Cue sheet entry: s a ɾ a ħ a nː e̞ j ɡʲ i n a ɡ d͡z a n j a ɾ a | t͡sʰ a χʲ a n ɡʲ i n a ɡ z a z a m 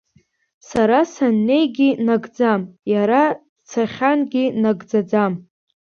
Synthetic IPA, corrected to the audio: s a ɾ a s a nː e̞ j ɡʲ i n a ɡ d͡z a m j a ɾ a | t͡sʰ a χʲ a n ɡʲ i n a ɡ d͡z a d͡z a m